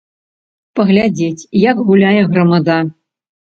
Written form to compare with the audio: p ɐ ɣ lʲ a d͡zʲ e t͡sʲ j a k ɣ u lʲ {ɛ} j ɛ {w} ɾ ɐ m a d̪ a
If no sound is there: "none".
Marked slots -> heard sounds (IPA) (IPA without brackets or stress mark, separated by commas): a, ɣ